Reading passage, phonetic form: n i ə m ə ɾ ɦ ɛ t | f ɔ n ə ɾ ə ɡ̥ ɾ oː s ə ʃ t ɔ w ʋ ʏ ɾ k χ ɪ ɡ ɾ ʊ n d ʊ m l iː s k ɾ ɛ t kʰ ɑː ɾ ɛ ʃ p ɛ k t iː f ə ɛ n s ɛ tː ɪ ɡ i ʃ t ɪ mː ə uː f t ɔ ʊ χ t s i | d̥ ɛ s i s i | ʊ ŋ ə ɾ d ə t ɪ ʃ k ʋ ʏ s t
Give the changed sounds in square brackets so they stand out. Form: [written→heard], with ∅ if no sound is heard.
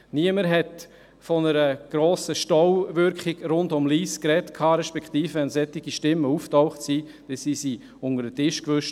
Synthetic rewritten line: n i ə m ə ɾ ɦ ɛ t | f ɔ n ə ɾ ə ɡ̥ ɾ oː s ə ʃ t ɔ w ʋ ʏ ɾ k χ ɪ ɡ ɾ ʊ n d ʊ m l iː s k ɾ ɛ t kʰ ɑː ɾ ɛ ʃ p ɛ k t iː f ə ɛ n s ɛ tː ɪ ɡ i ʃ t ɪ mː ə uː f t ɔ ʊ χ t s i | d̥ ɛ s i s i | ʊ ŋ ə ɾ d ə t ɪ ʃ k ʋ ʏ [s→ʃ] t